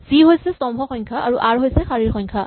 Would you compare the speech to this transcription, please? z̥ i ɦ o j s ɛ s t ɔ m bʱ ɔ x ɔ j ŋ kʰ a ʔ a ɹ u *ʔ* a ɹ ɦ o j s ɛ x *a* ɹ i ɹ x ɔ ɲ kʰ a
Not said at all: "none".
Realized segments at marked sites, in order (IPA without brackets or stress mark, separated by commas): ʔ, a